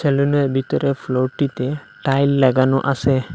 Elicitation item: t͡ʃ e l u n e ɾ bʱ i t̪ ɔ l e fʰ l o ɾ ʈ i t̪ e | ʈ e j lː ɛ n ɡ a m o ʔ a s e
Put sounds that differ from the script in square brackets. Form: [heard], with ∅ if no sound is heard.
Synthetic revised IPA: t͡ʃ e l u n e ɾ bʱ i t̪ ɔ [ɾ] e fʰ l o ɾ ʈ i t̪ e | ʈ [a] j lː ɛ [∅] ɡ a [n] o ʔ a s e